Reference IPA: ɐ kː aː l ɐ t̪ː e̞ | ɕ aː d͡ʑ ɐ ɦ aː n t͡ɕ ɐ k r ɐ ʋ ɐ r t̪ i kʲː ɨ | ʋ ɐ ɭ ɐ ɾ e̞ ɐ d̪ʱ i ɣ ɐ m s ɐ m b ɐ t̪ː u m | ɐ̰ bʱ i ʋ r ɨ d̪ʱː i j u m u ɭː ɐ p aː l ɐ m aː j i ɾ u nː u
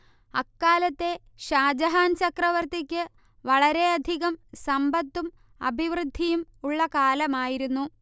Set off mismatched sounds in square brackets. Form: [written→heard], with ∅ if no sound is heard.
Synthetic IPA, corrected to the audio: ɐ kː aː l ɐ t̪ː e̞ | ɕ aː d͡ʑ ɐ ɦ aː n t͡ɕ ɐ k r ɐ ʋ ɐ r t̪ i kʲː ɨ | ʋ ɐ ɭ ɐ ɾ e̞ ɐ d̪ʱ i ɣ ɐ m s ɐ m b ɐ t̪ː u m | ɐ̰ bʱ i ʋ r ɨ d̪ʱː i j u m u ɭː ɐ [p→k] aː l ɐ m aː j i ɾ u nː u

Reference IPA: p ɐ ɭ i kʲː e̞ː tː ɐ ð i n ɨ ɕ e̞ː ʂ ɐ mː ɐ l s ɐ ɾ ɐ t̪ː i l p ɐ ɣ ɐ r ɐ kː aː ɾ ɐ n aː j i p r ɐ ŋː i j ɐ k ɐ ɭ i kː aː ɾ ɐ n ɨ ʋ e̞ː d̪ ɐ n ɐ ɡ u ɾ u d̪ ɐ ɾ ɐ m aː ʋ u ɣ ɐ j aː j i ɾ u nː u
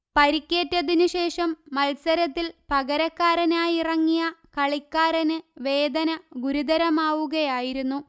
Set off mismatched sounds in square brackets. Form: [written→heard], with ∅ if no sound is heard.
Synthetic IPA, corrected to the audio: p ɐ [ɭ→ɾ] i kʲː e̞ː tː ɐ ð i n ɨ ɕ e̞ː ʂ ɐ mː ɐ l s ɐ ɾ ɐ t̪ː i l p ɐ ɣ ɐ [r→ɾ] ɐ kː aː ɾ ɐ n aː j i [p→∅] r ɐ ŋː i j ɐ k ɐ ɭ i kː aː ɾ ɐ n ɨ ʋ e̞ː d̪ ɐ n ɐ ɡ u ɾ u d̪ ɐ ɾ ɐ m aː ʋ u ɣ ɐ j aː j i ɾ u nː u

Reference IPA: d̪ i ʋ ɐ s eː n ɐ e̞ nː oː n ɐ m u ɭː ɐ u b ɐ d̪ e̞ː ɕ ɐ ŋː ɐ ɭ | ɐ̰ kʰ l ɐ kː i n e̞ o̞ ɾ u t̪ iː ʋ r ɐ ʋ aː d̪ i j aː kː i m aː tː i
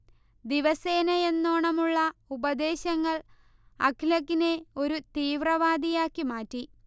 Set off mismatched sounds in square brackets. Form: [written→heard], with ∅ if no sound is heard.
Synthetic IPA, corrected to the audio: d̪ i ʋ ɐ s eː n ɐ e̞ nː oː [n→ɳ] ɐ m u ɭː ɐ u b ɐ d̪ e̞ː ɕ ɐ ŋː ɐ ɭ | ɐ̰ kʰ l ɐ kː i n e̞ o̞ ɾ u t̪ iː ʋ r ɐ ʋ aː d̪ i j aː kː i m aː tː i

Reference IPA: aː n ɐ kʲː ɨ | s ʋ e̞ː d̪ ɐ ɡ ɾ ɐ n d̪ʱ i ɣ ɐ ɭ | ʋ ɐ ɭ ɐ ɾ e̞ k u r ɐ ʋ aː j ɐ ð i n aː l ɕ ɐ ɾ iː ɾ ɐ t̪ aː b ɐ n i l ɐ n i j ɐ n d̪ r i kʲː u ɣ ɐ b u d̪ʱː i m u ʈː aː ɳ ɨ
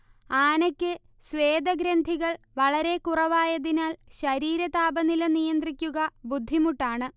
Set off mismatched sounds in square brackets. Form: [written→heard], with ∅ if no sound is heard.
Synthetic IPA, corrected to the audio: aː n ɐ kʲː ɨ | s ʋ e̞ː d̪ ɐ ɡ ɾ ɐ n d̪ʱ i ɣ ɐ ɭ | ʋ ɐ ɭ ɐ ɾ e̞ k u r ɐ ʋ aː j ɐ ð i n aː l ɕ ɐ ɾ iː ɾ ɐ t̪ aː b ɐ n i l ɐ n i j ɐ n d̪ r i kʲː u ɣ ɐ b u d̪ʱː i m u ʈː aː ɳ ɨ

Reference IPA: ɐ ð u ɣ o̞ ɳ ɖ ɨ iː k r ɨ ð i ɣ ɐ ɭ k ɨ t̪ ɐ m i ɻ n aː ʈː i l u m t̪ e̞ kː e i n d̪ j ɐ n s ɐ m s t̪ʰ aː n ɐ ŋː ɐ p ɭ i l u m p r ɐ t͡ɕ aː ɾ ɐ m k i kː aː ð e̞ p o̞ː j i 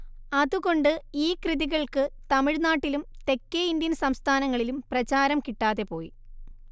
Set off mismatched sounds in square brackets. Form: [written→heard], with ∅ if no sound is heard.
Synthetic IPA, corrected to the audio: ɐ ð u ɣ o̞ ɳ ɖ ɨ iː k r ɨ ð i ɣ ɐ ɭ k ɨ t̪ ɐ m i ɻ n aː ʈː i l u m t̪ e̞ kː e i n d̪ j ɐ n s ɐ m s t̪ʰ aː n ɐ ŋː ɐ [p→∅] ɭ i l u m p r ɐ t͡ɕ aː ɾ ɐ m k i [kː→ʈː] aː ð e̞ p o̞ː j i

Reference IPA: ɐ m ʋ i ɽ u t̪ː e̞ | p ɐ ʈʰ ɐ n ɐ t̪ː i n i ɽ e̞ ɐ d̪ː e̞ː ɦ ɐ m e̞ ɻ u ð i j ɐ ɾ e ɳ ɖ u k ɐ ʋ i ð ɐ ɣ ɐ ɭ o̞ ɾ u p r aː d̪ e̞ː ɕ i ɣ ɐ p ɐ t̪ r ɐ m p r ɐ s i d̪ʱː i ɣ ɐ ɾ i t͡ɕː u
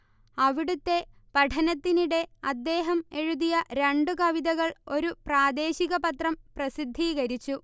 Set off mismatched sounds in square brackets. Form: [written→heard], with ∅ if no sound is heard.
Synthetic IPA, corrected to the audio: ɐ [m→∅] ʋ i ɽ u t̪ː e̞ | p ɐ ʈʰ ɐ n ɐ t̪ː i n i ɽ e̞ ɐ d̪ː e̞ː ɦ ɐ m e̞ ɻ u ð i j ɐ ɾ e ɳ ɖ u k ɐ ʋ i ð ɐ ɣ ɐ ɭ o̞ ɾ u p r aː d̪ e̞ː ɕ i ɣ ɐ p ɐ t̪ r ɐ m p r ɐ s i d̪ʱː i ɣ ɐ ɾ i t͡ɕː u

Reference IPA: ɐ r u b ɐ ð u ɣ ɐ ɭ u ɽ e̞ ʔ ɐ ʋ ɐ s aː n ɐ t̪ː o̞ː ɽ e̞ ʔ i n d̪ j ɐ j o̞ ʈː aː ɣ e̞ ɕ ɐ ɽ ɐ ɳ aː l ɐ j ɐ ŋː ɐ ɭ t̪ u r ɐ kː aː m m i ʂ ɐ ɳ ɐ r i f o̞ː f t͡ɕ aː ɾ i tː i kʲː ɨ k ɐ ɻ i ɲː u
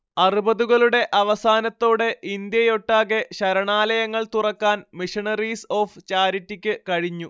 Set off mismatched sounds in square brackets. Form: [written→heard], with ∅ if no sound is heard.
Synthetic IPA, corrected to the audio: ɐ r u b ɐ ð u ɣ ɐ ɭ u ɽ e̞ ʔ ɐ ʋ ɐ s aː n ɐ t̪ː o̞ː ɽ e̞ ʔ i n d̪ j ɐ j o̞ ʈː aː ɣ e̞ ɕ ɐ [ɽ→ɾ] ɐ ɳ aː l ɐ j ɐ ŋː ɐ ɭ t̪ u r ɐ kː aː [m→n] m i ʂ ɐ ɳ ɐ r i [f→s] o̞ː f t͡ɕ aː ɾ i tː i kʲː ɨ k ɐ ɻ i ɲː u

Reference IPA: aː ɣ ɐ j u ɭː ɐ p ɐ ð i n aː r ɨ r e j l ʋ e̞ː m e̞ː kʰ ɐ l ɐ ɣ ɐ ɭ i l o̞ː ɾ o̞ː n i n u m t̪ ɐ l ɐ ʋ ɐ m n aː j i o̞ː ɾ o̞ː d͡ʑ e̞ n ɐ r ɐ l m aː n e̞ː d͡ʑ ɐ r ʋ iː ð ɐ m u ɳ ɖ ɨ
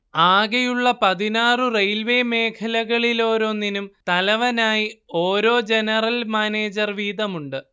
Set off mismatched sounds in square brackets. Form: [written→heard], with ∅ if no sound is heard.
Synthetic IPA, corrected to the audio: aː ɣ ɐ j u ɭː ɐ p ɐ ð i n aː r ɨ r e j l ʋ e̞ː m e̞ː kʰ ɐ l ɐ ɣ ɐ ɭ i l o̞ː ɾ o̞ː n i n u m t̪ ɐ l ɐ ʋ ɐ [m→∅] n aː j i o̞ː ɾ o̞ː d͡ʑ e̞ n ɐ r ɐ l m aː n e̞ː d͡ʑ ɐ r ʋ iː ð ɐ m u ɳ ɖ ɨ

